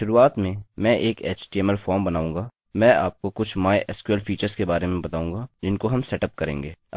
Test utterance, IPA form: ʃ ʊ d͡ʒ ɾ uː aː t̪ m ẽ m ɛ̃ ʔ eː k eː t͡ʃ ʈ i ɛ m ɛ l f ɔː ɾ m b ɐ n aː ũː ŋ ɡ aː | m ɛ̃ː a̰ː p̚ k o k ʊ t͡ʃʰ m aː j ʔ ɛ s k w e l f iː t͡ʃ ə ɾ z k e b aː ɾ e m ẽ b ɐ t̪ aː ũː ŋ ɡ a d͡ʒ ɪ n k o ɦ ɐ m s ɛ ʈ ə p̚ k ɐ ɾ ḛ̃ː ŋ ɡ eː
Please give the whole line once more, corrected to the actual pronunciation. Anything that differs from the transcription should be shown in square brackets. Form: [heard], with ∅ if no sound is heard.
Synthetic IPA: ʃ ʊ [∅] ɾ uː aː t̪ m ẽ m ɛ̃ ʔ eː k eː t͡ʃ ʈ i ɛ m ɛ l f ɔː ɾ m b ɐ n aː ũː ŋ ɡ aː | m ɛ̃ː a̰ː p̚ k o k ʊ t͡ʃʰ m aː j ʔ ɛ s k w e l f iː t͡ʃ ə ɾ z k e b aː ɾ e m ẽ b ɐ t̪ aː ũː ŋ ɡ a d͡ʒ ɪ n k o ɦ ɐ m s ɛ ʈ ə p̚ k ɐ ɾ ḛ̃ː ŋ ɡ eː